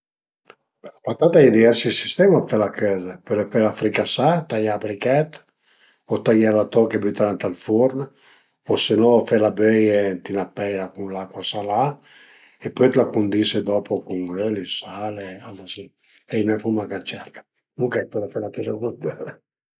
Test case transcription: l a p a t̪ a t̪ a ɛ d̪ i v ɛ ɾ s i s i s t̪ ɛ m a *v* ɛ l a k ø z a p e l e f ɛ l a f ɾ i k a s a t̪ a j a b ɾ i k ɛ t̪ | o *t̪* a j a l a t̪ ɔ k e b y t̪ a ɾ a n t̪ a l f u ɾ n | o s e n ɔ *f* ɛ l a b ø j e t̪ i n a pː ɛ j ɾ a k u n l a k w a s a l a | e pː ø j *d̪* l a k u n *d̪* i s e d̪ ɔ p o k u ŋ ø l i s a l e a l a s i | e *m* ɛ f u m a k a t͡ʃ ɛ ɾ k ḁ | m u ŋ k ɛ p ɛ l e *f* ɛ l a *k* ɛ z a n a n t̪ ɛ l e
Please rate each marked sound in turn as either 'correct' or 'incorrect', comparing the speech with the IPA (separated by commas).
incorrect, correct, correct, incorrect, correct, incorrect, correct, correct